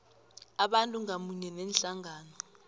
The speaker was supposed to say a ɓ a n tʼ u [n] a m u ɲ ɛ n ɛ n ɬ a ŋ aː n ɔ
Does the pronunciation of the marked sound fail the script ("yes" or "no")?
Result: yes